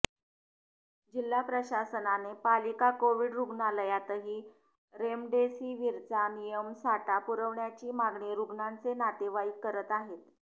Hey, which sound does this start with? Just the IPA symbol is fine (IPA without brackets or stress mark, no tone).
d͡ʑ